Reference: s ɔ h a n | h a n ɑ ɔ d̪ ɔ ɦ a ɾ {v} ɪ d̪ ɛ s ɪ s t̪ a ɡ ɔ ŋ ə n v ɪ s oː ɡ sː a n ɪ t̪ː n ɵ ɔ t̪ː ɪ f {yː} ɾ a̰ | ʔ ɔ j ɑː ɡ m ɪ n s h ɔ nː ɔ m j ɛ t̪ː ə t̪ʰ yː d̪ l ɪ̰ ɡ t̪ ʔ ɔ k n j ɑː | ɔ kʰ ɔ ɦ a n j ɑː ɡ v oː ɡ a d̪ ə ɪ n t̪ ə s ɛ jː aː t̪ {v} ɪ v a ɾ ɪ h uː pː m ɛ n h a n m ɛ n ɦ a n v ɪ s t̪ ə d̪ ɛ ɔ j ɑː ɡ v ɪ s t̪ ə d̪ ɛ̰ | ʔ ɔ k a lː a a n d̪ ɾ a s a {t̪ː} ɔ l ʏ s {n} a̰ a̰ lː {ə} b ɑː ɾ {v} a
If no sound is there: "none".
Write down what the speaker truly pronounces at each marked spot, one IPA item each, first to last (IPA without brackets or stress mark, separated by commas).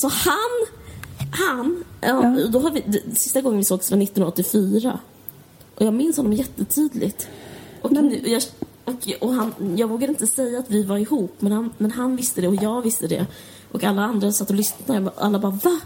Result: v, yː, v, t̪ː, n, a, v